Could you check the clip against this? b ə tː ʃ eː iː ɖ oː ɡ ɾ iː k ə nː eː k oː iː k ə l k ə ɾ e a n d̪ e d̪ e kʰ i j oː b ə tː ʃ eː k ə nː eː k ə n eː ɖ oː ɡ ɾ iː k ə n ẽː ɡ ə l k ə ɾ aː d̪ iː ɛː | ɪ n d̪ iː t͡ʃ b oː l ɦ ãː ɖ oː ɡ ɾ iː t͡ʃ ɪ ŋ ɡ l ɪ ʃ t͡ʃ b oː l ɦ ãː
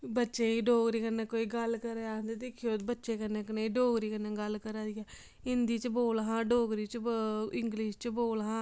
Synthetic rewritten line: b ə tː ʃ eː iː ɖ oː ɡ ɾ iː k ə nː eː k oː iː ɡ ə l k ə ɾ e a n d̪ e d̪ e kʰ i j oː b ə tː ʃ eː k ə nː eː k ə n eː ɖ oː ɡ ɾ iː k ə n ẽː ɡ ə l k ə ɾ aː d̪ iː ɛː | ɪ n d̪ iː t͡ʃ b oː l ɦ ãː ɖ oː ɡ ɾ iː t͡ʃ ɪ ŋ ɡ l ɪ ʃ t͡ʃ b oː l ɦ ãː

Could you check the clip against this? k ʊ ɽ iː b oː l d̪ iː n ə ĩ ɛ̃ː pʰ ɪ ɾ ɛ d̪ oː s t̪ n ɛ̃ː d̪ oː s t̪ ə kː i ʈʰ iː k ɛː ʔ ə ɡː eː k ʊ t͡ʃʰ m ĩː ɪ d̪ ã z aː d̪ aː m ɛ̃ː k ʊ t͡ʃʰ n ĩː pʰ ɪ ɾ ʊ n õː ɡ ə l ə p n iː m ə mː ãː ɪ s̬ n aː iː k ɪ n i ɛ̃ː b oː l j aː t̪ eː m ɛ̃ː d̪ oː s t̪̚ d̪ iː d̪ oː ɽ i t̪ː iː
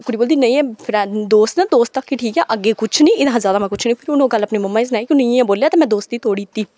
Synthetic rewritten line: k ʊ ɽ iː b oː l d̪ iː n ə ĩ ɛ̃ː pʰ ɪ ɾ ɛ d̪ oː s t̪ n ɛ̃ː d̪ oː s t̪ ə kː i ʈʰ iː k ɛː ʔ ə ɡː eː k ʊ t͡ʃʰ n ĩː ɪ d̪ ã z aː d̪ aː m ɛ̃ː k ʊ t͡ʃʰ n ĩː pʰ ɪ ɾ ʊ n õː ɡ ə l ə p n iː m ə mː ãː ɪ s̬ n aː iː k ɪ n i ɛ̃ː b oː l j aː t̪ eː m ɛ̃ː d̪ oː s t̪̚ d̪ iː t̪ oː ɽ i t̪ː iː

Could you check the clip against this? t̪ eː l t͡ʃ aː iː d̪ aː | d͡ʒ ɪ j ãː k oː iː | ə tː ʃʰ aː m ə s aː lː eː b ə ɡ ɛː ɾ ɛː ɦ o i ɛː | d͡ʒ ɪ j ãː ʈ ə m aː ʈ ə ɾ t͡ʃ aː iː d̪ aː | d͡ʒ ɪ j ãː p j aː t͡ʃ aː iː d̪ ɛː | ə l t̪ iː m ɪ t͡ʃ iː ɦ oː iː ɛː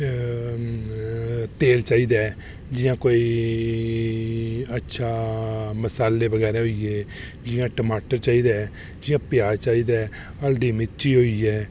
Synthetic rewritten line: t̪ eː l t͡ʃ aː iː d̪ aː | d͡ʒ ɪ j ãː k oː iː | ə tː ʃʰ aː m ə s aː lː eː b ə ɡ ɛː ɾ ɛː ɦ o i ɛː | d͡ʒ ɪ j ãː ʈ ə m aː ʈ ə ɾ t͡ʃ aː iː d̪ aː | d͡ʒ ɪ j ãː p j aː t͡ʃ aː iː d̪ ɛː | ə l d̪ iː m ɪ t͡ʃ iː ɦ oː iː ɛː

